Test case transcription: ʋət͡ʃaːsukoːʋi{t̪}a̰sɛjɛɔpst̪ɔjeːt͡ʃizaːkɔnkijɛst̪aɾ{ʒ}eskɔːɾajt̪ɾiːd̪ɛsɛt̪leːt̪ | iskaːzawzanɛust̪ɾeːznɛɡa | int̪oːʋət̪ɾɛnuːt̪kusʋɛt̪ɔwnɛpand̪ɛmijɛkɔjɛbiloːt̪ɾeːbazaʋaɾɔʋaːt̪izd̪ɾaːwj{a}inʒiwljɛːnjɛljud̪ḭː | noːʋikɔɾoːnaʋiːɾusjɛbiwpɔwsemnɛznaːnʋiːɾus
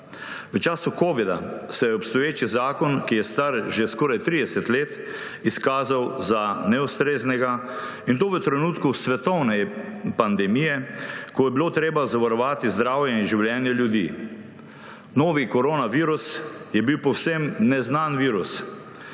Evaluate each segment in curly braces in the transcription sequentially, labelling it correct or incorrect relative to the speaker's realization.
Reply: incorrect: d̪, correct, incorrect: ɛ

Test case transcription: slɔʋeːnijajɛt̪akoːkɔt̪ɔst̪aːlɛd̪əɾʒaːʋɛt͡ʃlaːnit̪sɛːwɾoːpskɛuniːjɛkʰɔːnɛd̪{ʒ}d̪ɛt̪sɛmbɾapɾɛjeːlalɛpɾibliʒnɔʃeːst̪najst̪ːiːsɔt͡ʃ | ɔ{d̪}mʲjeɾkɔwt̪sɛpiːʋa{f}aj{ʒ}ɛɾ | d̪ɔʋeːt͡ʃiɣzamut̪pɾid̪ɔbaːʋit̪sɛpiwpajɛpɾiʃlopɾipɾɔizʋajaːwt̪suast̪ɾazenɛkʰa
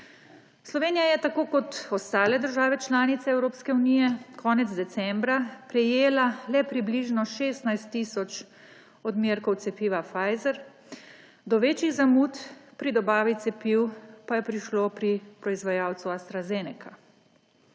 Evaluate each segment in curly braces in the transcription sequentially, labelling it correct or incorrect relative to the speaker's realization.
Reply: incorrect: z, correct, correct, incorrect: z

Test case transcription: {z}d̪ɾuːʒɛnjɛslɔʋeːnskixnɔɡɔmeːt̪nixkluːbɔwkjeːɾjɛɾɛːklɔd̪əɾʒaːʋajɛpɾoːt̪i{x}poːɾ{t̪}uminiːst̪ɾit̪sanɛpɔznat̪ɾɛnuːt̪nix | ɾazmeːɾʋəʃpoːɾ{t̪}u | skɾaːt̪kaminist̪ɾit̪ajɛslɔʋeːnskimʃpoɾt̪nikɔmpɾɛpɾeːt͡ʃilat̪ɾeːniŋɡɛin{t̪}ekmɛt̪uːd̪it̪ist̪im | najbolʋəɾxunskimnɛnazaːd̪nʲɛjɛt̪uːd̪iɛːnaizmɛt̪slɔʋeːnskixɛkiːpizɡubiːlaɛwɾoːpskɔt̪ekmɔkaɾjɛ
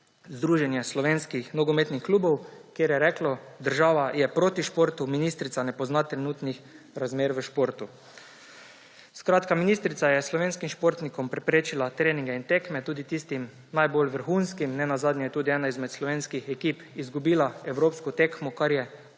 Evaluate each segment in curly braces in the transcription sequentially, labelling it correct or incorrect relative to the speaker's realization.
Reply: correct, incorrect: ʃ, correct, correct, correct

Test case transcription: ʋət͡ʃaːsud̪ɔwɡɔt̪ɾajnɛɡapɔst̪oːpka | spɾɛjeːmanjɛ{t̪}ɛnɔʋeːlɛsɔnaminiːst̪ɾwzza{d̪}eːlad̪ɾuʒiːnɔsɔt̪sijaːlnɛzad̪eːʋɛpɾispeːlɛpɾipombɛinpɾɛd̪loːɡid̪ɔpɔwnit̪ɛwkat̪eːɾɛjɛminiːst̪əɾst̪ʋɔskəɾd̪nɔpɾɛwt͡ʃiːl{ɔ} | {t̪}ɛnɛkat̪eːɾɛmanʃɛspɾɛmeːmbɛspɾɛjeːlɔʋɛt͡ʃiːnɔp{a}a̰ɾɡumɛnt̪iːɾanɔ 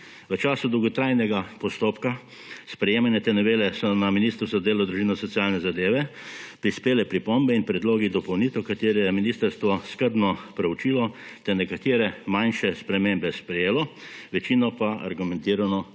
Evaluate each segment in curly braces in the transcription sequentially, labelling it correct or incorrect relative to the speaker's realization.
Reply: correct, correct, correct, correct, correct

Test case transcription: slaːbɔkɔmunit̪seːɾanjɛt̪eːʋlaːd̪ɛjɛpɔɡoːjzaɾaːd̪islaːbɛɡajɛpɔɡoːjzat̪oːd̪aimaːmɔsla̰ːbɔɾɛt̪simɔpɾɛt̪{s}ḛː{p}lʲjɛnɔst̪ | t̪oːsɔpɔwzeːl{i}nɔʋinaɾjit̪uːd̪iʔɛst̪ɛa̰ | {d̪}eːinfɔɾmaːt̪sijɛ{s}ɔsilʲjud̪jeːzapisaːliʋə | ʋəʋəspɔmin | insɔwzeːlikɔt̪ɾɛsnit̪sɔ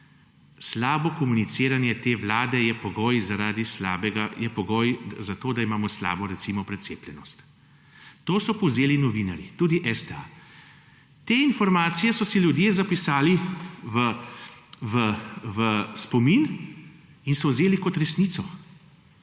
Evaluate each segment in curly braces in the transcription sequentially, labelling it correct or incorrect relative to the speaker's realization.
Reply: correct, correct, correct, incorrect: t̪, correct

